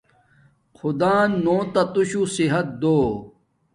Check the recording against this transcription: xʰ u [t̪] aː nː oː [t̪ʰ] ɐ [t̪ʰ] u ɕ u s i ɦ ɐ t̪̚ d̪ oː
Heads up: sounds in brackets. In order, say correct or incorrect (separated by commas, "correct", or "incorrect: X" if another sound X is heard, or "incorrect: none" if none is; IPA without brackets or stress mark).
incorrect: d̪, incorrect: t̪, incorrect: t̪